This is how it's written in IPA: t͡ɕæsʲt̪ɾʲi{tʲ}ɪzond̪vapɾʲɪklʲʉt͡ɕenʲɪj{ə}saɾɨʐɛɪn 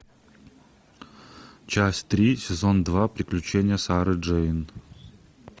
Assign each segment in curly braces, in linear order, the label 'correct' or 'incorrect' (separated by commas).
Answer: incorrect, correct